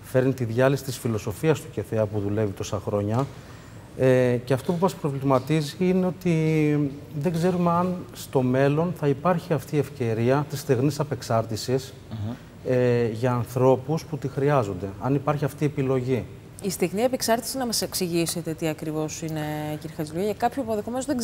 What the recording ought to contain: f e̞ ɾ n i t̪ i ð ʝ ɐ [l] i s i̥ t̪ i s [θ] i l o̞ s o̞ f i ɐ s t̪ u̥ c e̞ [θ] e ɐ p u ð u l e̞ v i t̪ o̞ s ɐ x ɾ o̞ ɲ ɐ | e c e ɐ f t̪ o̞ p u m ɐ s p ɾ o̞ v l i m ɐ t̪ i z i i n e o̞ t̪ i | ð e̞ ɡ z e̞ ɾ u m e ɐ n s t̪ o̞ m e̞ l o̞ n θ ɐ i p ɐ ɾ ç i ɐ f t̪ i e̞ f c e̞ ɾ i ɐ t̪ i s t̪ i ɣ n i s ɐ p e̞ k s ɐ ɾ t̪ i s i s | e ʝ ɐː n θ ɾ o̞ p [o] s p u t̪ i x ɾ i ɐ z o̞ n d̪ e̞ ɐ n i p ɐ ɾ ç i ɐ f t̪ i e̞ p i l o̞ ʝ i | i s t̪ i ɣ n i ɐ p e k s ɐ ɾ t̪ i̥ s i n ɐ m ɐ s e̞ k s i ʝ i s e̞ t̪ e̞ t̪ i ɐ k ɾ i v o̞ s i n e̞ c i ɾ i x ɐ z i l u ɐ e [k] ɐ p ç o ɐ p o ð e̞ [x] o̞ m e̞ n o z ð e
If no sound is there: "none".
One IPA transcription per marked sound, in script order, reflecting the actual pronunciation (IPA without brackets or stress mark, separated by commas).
l, f, θ, u, k, x